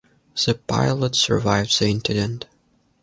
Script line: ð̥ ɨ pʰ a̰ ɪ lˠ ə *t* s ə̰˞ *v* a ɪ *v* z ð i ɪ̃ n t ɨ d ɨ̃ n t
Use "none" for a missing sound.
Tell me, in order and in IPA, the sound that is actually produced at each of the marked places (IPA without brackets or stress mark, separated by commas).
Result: t, v, v